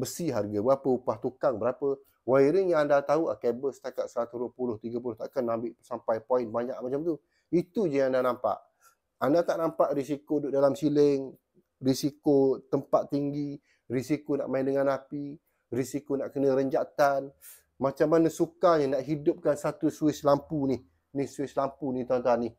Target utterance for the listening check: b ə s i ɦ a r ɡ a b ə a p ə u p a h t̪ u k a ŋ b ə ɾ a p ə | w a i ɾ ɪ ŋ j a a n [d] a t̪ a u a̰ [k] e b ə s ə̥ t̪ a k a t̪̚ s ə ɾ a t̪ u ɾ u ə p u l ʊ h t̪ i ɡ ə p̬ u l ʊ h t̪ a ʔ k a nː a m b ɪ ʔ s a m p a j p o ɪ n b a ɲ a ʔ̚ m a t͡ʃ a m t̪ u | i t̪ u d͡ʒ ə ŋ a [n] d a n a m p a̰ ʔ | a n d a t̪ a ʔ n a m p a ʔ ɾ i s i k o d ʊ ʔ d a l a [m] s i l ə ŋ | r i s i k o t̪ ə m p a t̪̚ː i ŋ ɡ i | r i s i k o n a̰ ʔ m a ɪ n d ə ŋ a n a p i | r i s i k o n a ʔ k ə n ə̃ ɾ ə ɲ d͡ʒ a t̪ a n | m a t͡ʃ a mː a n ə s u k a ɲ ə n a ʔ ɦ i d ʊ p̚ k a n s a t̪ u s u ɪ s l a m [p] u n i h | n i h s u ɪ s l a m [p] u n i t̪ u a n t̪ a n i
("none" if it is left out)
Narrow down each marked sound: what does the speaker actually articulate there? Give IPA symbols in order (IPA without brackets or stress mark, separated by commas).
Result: d, k, n, m, p, p